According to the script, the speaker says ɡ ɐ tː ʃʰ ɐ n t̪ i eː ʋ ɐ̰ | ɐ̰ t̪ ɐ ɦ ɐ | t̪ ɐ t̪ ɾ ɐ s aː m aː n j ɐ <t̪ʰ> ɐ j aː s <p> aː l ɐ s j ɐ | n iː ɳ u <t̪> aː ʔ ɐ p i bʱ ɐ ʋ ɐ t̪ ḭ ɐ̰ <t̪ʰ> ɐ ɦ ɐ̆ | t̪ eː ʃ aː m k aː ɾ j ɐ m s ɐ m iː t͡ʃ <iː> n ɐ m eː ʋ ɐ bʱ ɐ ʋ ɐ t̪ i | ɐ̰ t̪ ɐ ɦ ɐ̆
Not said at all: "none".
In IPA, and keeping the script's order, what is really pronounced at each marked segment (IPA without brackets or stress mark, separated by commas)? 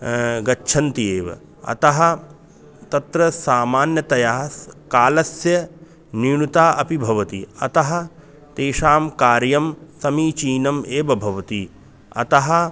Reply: t̪, k, t̪, t̪, iː